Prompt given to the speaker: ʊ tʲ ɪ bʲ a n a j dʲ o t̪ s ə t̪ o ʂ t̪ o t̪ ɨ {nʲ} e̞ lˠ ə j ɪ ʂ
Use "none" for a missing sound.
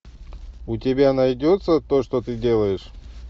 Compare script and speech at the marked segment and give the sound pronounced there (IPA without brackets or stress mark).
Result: dʲ